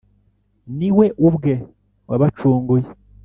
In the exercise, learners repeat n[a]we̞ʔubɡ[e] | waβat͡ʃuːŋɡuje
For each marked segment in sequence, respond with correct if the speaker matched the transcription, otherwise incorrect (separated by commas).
incorrect, correct